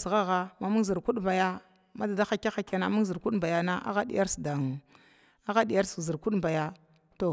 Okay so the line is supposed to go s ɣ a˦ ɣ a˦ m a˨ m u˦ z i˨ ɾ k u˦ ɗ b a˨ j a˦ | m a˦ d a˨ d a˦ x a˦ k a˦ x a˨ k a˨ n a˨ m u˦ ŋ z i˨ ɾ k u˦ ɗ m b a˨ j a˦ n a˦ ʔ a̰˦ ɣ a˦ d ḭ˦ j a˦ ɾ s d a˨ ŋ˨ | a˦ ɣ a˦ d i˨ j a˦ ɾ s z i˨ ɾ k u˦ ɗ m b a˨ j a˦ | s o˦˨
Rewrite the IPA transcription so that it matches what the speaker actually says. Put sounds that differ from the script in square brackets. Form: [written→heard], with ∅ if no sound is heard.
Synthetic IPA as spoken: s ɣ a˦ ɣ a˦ m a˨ m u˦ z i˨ ɾ k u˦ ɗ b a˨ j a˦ | m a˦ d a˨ d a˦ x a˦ k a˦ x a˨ k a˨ n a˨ m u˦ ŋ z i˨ ɾ k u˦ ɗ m b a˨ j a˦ n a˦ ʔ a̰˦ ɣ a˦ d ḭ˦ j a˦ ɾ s d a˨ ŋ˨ | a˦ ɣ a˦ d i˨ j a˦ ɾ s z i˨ ɾ k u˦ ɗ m b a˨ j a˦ | [s→t] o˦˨